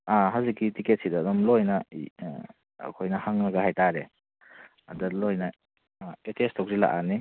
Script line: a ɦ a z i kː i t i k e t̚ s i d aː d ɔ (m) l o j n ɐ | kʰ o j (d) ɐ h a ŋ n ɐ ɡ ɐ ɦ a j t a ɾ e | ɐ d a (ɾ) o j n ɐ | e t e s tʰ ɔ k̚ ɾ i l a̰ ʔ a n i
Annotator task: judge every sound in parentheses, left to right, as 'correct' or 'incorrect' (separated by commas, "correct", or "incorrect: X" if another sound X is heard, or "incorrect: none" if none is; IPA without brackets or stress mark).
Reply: correct, incorrect: n, incorrect: l